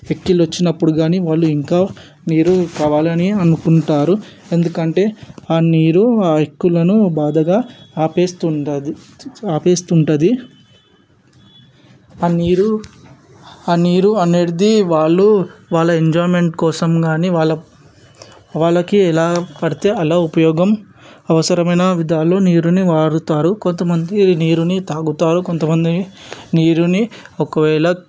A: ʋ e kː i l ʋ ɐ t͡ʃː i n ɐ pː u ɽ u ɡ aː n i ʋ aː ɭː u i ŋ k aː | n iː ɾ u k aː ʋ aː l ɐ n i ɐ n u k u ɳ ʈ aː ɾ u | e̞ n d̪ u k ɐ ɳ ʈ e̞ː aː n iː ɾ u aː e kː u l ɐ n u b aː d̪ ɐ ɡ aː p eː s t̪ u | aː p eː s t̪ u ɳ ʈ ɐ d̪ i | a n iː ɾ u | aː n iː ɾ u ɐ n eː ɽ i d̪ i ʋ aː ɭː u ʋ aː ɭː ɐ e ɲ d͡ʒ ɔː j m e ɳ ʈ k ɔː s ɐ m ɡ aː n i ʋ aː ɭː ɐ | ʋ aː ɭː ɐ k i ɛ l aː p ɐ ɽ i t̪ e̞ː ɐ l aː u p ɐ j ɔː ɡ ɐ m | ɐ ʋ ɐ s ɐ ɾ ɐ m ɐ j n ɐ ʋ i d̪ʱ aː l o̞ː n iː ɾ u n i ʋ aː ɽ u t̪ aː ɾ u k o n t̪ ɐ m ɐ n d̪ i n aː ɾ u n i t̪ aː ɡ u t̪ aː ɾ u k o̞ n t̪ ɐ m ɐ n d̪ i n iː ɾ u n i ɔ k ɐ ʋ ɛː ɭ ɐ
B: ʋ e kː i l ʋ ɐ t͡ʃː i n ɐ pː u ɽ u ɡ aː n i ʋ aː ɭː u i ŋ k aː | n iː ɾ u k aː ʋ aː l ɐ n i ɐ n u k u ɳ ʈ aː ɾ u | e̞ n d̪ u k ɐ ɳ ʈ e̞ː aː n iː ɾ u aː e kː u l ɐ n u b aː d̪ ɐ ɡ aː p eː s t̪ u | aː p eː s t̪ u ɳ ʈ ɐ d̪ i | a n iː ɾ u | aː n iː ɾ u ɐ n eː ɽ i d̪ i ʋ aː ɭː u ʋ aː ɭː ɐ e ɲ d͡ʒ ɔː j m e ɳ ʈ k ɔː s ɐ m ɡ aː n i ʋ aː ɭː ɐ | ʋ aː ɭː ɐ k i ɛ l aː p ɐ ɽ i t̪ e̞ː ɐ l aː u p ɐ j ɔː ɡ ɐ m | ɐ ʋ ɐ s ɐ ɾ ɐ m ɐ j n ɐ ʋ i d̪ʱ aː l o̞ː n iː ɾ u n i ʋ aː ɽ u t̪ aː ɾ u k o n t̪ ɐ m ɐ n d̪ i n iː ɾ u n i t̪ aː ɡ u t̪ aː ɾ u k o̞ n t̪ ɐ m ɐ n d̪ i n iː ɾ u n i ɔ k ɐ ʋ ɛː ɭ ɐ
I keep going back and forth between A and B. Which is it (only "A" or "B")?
B